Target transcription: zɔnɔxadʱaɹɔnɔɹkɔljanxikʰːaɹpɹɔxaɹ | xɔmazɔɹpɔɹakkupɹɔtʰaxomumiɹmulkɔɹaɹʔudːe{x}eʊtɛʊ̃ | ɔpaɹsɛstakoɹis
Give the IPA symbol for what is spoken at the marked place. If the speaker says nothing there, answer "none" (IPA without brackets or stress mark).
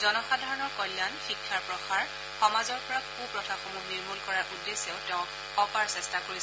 s